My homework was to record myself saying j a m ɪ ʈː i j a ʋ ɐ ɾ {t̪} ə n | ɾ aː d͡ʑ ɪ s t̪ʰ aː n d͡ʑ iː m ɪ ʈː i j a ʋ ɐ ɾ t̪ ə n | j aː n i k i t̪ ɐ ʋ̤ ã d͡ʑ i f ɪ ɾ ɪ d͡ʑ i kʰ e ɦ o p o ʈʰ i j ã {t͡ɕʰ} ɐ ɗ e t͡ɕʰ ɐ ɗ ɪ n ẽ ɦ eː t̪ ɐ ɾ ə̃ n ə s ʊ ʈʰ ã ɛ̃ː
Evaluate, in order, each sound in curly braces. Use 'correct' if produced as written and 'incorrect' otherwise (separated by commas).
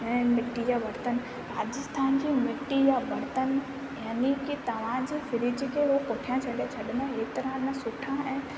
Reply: correct, correct